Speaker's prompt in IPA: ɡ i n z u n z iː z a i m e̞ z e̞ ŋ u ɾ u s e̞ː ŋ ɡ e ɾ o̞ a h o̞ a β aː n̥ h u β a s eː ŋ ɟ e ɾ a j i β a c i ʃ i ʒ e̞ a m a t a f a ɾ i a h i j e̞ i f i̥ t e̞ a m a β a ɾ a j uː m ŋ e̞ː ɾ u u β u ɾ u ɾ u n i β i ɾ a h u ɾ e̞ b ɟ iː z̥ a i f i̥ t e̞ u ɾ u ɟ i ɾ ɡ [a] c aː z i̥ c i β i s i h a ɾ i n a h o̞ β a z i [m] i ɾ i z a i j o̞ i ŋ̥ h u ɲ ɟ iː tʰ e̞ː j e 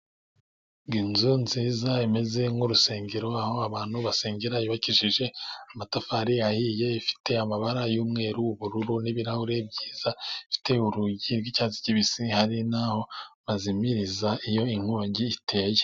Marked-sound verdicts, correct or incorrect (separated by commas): incorrect, correct